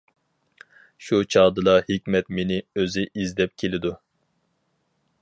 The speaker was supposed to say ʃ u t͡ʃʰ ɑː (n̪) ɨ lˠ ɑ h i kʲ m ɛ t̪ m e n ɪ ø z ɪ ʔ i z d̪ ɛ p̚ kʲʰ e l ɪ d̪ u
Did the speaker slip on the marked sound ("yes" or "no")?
yes